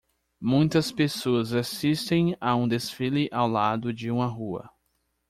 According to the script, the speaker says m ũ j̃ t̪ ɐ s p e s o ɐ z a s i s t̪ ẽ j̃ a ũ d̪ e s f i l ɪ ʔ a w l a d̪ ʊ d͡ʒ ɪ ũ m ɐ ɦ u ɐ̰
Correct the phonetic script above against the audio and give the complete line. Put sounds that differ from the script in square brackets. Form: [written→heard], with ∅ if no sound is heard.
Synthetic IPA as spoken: m ũ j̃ t̪ ɐ s p e s o ɐ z a s i s t̪ ẽ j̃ a ũ d̪ e s f i l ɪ ʔ a w l a d̪ ʊ d͡ʒ ɪ ũ m ɐ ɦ u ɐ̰